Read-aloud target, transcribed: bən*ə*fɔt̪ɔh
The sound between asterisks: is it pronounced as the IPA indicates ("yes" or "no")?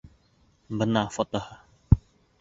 no